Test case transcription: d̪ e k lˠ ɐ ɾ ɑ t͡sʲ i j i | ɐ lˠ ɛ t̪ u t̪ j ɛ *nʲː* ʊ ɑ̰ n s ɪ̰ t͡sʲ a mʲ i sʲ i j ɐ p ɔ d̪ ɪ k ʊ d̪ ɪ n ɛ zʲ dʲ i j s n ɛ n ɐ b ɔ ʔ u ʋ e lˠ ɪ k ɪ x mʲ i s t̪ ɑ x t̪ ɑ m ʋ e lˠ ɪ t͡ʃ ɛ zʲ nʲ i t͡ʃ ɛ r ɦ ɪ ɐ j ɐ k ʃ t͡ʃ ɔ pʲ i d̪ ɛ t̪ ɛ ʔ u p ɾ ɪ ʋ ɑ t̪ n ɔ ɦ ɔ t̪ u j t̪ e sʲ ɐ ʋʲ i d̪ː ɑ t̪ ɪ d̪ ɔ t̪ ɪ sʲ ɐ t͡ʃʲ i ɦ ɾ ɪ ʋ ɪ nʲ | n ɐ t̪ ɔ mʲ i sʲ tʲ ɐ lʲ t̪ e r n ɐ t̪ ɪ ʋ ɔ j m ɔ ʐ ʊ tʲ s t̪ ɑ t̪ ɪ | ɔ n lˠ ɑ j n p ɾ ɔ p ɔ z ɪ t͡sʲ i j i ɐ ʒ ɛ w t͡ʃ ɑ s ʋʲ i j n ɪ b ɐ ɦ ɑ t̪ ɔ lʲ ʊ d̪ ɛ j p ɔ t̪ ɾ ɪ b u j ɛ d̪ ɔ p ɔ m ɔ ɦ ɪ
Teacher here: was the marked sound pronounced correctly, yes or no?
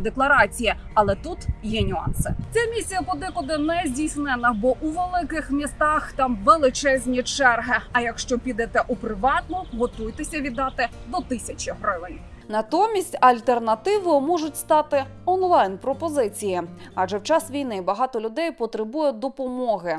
no